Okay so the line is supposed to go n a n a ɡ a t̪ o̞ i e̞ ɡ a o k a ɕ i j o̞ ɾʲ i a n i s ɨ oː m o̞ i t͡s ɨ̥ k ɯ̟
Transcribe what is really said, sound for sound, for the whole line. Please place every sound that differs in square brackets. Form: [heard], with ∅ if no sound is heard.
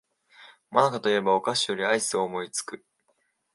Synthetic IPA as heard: [m] a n a [k] a t̪ o̞ i e̞ [b] a o k a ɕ i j o̞ ɾʲ i a [∅] i s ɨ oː m o̞ i t͡s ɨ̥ k ɯ̟

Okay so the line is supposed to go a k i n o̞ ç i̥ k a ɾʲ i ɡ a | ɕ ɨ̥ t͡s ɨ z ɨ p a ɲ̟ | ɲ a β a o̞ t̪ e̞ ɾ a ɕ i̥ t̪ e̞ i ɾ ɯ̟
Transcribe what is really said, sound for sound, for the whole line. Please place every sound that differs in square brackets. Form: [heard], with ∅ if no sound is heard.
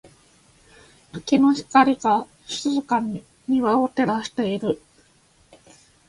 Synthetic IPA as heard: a k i n o̞ ç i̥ k a ɾʲ i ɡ a | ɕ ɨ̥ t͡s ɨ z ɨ [k] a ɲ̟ | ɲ [i] β a o̞ t̪ e̞ ɾ a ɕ i̥ t̪ e̞ i ɾ ɯ̟

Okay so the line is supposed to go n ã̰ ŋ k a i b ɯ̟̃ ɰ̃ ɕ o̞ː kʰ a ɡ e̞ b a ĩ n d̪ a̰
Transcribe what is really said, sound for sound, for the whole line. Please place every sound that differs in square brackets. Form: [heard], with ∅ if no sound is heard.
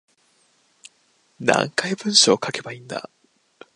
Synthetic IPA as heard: n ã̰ ŋ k a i b ɯ̟̃ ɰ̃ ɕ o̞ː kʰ a [k] e̞ b a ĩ n d̪ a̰

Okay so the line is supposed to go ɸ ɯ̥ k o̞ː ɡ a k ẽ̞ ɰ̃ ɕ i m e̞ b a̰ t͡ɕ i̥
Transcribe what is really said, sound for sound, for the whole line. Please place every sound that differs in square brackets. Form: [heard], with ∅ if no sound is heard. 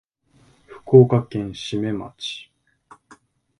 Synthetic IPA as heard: ɸ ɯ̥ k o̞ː [k] a k ẽ̞ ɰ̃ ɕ i m e̞ [m] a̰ t͡ɕ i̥

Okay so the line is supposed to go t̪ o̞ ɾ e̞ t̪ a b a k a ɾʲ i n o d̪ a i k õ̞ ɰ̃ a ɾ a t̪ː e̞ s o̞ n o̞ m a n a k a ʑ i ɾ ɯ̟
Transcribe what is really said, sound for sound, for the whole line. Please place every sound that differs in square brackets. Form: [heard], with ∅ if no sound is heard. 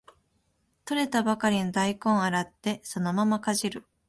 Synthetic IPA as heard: t̪ o̞ ɾ e̞ t̪ a b a k a ɾʲ i n o d̪ a i k õ̞ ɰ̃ a ɾ a t̪ː e̞ s o̞ n o̞ m a [m] a k a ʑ i ɾ ɯ̟

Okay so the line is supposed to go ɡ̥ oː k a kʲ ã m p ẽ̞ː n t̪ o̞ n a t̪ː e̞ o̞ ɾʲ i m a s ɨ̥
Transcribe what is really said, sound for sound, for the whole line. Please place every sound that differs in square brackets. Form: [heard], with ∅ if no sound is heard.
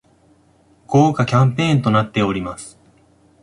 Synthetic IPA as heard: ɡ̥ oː k a kʲ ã m p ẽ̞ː n t̪ o̞ n a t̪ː e̞ o̞ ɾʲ i m a s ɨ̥

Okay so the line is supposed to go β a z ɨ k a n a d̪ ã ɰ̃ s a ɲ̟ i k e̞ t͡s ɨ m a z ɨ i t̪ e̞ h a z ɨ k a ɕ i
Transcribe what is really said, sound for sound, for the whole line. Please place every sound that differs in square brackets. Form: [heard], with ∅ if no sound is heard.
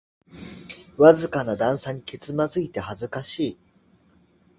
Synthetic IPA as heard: β a z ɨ k a n a d̪ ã ɰ̃ s a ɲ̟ i k e̞ t͡s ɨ m a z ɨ i t̪ e̞ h a z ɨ k a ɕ [iː]

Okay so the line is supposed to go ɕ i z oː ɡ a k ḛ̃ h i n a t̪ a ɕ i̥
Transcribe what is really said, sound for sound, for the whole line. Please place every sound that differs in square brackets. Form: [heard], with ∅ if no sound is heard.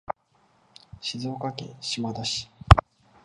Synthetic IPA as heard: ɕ i z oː [k] a k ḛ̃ [ɕ] i [m] a [d̪] a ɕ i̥

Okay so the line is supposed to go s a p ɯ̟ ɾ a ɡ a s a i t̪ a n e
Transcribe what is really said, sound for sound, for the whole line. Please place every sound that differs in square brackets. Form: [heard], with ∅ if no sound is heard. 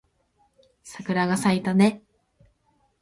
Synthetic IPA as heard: s a [k] ɯ̟ ɾ a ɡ a s a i t̪ a n e

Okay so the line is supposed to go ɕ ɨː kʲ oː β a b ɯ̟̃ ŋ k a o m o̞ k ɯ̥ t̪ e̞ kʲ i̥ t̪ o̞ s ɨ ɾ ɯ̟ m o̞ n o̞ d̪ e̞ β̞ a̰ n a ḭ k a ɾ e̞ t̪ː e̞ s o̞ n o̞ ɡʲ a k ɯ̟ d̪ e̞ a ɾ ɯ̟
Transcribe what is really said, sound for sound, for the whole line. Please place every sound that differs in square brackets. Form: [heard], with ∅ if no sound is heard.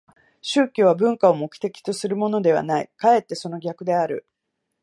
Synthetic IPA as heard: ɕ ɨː kʲ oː β a b ɯ̟̃ ŋ k a o m o̞ k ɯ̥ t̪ e̞ kʲ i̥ t̪ o̞ s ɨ ɾ ɯ̟ m o̞ n o̞ d̪ e̞ β̞ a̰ n a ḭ k a [∅] e̞ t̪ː e̞ s o̞ n o̞ ɡʲ a k ɯ̟ d̪ e̞ a ɾ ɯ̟

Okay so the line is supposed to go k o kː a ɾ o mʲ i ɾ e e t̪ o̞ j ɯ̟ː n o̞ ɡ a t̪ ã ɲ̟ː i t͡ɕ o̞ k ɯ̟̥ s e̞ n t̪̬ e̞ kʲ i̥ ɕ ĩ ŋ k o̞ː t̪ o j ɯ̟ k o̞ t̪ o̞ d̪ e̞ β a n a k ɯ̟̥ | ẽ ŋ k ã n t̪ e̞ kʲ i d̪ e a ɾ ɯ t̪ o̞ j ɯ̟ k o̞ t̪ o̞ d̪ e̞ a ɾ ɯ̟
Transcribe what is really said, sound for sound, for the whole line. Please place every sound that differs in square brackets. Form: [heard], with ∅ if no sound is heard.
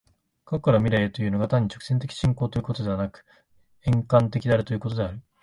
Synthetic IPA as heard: k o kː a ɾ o mʲ i ɾ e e t̪ o̞ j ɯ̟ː n o̞ ɡ a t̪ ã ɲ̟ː i t͡ɕ o̞ k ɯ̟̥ s e̞ n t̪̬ e̞ kʲ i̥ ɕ ĩ ŋ k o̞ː t̪ o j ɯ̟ k o̞ t̪ o̞ d̪ e̞ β a n a k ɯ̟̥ | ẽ ŋ k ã n t̪ e̞ kʲ i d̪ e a ɾ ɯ t̪ o̞ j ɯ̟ k o̞ t̪ o̞ d̪ e̞ a ɾ ɯ̟

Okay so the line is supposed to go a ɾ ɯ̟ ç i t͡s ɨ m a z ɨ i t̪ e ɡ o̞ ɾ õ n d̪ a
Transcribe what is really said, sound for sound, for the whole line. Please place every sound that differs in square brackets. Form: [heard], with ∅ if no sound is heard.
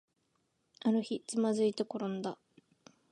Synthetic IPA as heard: a ɾ ɯ̟ ç i t͡s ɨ m a z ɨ i t̪ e [k] o̞ ɾ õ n d̪ a

